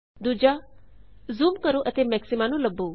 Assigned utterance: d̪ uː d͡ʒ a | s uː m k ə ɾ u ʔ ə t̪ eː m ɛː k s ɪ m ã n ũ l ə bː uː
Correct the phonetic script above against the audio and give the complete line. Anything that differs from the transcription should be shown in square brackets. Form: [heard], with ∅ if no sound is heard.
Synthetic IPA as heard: d̪ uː d͡ʒ a | [z] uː m k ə ɾ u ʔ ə t̪ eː m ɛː k s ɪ m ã n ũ l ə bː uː